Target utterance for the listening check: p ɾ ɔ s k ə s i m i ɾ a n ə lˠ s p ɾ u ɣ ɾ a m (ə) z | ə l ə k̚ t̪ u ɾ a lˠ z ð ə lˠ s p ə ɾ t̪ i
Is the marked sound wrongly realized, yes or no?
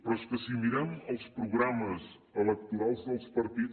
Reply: no